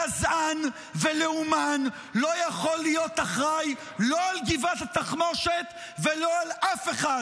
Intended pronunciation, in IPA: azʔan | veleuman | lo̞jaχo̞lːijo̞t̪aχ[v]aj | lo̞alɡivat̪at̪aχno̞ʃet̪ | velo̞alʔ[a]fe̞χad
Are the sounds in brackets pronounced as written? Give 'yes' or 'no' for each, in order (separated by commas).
no, yes